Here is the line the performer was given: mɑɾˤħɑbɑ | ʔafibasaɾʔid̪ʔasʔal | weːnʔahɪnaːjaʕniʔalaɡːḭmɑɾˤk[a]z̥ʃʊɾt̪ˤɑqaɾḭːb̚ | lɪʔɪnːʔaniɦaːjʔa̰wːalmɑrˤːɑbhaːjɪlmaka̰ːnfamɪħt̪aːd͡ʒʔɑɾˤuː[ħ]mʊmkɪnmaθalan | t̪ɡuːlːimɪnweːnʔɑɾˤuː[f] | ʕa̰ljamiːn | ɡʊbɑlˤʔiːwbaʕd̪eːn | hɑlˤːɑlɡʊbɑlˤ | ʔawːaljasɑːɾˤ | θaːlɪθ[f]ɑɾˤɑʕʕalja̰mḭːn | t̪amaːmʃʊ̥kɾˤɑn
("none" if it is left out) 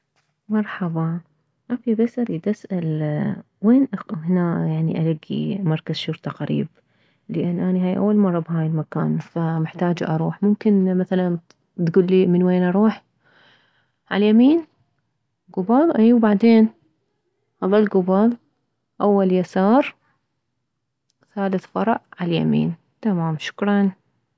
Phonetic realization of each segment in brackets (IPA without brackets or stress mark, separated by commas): a, ħ, ħ, f